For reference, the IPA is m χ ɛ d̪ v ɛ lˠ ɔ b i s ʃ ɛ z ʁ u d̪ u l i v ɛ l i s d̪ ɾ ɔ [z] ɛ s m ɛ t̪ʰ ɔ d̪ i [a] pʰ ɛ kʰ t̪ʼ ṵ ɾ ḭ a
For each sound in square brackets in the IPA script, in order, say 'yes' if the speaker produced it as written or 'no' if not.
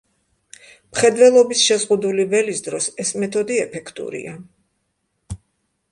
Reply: no, no

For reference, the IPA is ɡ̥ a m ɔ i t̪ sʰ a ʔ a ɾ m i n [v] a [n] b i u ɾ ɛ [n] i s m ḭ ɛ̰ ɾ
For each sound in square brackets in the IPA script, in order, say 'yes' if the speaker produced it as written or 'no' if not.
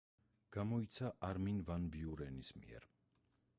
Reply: yes, yes, yes

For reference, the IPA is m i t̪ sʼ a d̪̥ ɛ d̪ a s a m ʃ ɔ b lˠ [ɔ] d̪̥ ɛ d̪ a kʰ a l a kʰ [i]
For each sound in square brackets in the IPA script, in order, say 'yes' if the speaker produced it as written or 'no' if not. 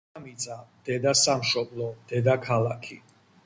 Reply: yes, yes

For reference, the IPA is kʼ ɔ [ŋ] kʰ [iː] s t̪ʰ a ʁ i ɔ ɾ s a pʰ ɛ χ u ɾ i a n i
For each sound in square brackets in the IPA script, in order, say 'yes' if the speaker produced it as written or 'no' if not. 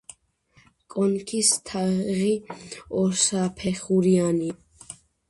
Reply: no, no

